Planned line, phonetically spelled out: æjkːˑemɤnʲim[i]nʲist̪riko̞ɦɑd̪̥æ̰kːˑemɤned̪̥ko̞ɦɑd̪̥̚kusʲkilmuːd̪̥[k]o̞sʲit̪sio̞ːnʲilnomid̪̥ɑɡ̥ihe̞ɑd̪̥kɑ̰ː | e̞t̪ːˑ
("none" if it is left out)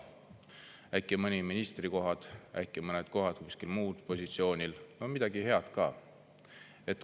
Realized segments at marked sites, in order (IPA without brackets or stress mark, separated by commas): i, p